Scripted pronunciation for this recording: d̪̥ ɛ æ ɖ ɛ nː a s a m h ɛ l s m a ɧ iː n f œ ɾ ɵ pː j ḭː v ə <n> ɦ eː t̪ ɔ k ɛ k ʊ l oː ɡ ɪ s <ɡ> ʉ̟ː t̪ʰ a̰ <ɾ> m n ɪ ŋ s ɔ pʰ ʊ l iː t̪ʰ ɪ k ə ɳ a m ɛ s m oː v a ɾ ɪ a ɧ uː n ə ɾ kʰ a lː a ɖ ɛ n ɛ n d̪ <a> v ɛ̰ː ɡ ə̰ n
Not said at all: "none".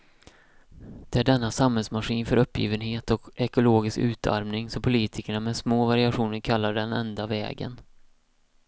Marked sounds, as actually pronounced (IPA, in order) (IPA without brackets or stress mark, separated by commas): n, k, ɾ, a